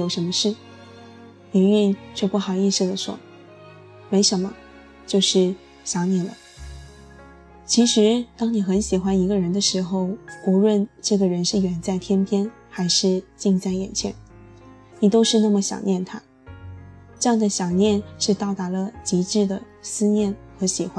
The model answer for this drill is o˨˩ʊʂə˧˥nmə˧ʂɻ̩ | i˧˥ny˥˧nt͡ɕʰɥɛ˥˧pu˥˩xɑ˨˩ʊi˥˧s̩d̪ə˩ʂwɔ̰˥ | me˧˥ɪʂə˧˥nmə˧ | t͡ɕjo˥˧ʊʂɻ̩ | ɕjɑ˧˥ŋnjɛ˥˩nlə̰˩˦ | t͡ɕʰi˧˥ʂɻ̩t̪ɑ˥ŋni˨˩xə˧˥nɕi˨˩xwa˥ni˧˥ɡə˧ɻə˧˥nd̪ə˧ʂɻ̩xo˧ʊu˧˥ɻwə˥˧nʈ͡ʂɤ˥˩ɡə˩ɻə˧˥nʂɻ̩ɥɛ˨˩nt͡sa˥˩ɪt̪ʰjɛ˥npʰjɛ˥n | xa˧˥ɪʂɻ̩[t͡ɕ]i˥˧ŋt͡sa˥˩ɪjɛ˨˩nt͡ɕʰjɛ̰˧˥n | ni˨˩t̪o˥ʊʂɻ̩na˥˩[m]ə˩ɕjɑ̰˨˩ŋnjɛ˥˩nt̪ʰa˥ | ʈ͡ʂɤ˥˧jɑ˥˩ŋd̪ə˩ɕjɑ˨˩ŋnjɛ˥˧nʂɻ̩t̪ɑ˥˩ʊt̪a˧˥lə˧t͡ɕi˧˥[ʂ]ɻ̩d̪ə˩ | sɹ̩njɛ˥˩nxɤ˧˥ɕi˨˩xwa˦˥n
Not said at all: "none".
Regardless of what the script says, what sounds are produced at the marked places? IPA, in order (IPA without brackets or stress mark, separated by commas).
t͡ɕ, m, ʈ͡ʂ